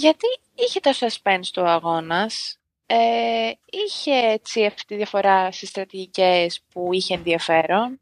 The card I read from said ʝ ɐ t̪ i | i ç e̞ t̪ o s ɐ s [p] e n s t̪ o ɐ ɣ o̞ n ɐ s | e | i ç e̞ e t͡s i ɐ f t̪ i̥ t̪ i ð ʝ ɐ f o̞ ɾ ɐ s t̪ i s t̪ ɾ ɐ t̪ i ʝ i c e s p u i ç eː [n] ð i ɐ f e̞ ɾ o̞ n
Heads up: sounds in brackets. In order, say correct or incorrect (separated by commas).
correct, correct